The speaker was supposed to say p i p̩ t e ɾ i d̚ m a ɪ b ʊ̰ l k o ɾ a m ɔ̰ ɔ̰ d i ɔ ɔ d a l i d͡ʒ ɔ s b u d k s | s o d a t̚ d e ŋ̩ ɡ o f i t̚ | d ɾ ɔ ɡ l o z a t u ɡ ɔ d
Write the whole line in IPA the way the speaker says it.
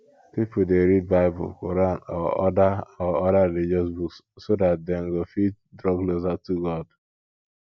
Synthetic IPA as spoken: p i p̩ d e ɾ i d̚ b a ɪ b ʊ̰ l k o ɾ a n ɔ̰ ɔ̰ d a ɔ ɔ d a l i d͡ʒ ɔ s b u k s | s o d a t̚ d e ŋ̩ ɡ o f i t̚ | d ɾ ɔ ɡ l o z a t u ɡ ɔ d